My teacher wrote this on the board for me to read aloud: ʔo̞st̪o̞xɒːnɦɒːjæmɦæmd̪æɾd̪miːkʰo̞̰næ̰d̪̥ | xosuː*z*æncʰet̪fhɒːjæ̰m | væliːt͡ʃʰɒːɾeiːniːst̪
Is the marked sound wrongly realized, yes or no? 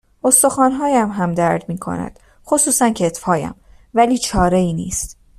yes